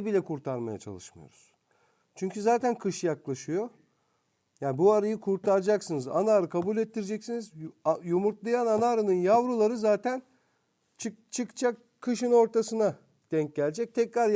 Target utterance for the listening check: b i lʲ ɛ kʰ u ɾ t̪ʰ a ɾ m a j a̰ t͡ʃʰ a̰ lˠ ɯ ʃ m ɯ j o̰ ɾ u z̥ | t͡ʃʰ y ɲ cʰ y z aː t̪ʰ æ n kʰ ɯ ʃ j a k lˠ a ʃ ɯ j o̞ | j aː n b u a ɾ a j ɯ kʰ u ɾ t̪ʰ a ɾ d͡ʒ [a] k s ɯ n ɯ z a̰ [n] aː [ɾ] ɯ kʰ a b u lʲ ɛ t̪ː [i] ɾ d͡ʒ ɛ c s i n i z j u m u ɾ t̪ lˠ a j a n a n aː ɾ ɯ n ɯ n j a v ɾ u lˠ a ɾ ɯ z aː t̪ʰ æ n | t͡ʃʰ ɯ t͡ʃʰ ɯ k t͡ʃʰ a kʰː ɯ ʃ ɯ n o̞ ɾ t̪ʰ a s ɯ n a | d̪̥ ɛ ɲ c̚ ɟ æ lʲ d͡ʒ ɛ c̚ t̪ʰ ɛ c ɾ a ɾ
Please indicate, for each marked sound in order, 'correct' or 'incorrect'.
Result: correct, correct, correct, correct

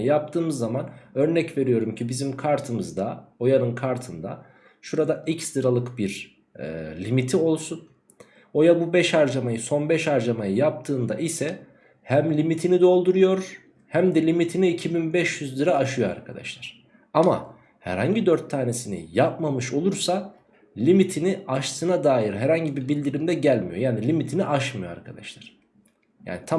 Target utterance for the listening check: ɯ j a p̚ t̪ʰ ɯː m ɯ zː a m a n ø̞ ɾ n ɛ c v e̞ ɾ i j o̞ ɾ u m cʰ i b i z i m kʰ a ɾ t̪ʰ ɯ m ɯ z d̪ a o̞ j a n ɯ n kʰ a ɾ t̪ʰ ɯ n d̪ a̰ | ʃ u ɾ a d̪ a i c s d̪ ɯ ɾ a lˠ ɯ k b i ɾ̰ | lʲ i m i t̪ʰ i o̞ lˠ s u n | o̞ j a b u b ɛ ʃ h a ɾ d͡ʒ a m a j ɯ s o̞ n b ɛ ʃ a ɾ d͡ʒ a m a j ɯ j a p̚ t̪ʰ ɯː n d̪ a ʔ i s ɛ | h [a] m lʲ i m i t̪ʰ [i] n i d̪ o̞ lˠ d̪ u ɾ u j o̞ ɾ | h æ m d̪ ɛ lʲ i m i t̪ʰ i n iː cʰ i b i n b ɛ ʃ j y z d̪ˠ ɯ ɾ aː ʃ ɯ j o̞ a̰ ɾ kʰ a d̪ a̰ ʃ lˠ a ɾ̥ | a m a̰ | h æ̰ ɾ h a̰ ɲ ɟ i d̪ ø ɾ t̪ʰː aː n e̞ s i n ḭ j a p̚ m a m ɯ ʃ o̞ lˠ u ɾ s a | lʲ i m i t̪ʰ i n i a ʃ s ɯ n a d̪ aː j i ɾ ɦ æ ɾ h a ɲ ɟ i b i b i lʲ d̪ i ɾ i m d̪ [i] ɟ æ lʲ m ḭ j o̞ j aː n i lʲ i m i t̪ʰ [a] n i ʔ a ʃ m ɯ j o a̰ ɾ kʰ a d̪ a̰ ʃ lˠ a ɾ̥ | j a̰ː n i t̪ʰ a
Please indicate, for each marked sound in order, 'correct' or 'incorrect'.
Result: incorrect, correct, incorrect, incorrect

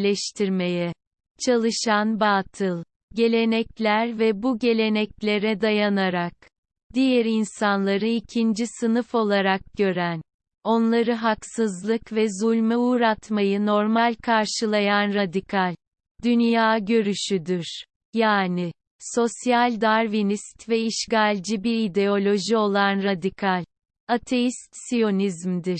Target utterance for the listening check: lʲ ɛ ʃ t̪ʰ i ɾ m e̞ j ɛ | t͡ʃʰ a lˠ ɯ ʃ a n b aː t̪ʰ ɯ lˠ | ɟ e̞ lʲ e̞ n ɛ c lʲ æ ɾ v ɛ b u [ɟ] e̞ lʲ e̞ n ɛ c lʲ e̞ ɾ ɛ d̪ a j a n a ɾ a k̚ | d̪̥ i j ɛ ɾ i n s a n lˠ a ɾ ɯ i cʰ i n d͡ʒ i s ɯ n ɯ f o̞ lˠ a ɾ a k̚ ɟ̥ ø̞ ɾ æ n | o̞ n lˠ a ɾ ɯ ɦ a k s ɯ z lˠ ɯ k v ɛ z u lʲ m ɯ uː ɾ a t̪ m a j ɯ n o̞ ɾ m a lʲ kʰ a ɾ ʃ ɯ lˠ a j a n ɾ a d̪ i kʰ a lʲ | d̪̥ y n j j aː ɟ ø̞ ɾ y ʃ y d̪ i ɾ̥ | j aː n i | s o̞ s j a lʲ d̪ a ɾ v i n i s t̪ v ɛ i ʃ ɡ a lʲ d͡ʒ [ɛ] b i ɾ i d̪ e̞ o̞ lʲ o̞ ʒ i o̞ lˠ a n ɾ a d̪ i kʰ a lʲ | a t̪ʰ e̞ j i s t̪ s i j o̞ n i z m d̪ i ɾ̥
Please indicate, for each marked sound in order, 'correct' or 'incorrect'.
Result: correct, incorrect

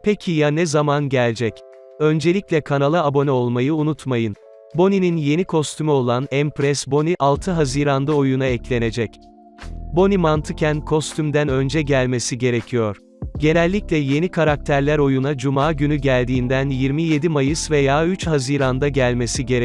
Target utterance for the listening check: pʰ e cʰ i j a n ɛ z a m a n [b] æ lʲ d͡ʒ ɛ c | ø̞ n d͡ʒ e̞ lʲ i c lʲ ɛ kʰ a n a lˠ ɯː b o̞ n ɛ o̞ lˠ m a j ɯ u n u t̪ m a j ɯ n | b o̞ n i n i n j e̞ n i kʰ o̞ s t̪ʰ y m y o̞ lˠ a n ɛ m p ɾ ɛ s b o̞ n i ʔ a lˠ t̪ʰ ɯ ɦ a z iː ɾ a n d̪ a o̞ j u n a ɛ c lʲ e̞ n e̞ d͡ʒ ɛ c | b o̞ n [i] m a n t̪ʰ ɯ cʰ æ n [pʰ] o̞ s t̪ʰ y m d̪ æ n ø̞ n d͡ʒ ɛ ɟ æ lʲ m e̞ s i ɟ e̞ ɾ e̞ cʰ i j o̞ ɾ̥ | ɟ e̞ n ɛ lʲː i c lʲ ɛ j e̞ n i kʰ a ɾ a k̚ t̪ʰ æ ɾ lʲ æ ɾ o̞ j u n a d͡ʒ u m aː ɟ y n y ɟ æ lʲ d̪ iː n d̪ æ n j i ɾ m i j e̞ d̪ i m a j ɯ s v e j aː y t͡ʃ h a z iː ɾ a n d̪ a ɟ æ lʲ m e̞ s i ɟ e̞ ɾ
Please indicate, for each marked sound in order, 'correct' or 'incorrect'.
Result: incorrect, correct, incorrect

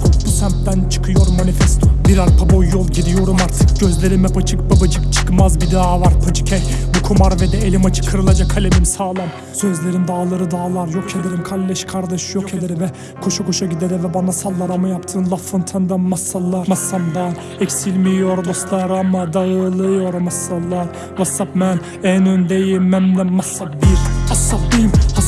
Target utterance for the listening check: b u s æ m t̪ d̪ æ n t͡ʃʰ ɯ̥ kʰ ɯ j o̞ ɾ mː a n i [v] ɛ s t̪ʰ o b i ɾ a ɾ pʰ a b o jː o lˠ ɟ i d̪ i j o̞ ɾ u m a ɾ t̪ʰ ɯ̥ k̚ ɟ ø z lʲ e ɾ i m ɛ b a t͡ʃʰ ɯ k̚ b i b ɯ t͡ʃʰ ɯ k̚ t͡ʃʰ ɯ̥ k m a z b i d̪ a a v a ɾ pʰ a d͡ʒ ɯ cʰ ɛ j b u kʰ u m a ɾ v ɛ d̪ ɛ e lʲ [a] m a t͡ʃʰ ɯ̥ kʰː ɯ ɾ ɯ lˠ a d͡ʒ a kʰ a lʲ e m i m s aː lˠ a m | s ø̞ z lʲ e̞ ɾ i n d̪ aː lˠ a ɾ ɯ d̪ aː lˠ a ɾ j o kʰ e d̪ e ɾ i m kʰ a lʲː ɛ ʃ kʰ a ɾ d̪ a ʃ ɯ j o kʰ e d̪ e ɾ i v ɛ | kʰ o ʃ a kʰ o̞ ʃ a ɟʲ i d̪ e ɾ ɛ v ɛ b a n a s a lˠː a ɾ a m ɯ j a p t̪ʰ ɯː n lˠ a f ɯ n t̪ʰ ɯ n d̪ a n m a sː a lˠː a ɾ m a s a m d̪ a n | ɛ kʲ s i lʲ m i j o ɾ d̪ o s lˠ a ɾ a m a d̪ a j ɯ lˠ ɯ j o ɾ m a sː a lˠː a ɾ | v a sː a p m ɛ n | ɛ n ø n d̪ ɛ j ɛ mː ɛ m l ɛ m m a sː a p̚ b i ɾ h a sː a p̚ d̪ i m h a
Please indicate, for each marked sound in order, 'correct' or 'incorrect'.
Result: incorrect, incorrect

